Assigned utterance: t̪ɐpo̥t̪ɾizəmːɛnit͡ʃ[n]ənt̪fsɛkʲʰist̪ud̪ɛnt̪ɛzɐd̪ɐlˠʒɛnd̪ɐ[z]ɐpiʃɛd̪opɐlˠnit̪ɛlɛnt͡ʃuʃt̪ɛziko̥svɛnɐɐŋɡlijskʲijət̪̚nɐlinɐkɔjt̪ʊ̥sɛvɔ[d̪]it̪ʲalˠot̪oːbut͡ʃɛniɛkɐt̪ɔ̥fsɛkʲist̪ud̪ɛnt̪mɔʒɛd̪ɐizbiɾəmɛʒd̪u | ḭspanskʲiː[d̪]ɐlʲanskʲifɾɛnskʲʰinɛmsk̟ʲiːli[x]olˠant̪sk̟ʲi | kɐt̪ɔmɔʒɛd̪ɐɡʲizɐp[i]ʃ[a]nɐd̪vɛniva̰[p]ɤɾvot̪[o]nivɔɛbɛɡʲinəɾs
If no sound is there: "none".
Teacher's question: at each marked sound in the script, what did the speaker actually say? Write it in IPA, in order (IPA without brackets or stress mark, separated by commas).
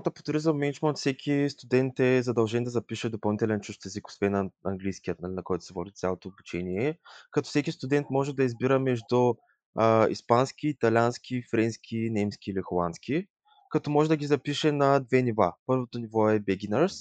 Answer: m, z, d̪, t̪, x, i, ɛ, p, o